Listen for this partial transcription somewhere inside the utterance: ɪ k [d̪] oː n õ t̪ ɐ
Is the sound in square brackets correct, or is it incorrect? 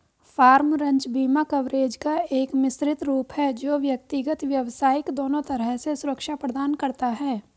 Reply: correct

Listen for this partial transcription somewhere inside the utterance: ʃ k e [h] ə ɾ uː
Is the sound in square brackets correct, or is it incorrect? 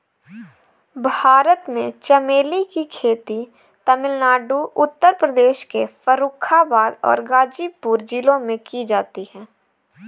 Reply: incorrect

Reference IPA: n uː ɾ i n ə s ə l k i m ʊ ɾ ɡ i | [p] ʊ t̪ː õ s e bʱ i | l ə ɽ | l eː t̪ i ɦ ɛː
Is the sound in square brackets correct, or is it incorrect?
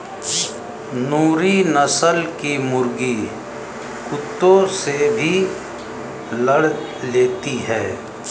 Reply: incorrect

